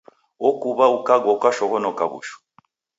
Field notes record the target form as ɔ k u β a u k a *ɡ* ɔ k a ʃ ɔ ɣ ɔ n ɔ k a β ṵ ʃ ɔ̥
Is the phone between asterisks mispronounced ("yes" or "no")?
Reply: no